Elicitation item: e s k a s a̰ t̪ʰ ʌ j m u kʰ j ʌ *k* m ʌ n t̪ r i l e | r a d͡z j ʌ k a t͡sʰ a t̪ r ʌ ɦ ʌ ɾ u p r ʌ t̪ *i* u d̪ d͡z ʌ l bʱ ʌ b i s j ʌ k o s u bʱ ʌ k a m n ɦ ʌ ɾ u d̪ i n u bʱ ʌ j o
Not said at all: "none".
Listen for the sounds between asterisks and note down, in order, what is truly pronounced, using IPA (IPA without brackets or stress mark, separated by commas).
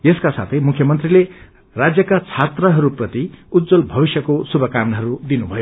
none, i